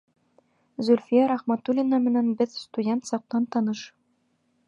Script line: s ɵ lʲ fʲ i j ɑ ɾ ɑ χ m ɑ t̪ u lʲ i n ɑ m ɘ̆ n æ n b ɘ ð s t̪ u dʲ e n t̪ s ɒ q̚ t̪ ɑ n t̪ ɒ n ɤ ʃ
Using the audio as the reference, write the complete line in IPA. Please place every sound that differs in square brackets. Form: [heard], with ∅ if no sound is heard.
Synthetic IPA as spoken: [z] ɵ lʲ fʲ i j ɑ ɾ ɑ χ m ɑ t̪ u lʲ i n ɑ m ɘ̆ n æ n b ɘ ð s t̪ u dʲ e n t̪ s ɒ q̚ t̪ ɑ n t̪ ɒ n ɤ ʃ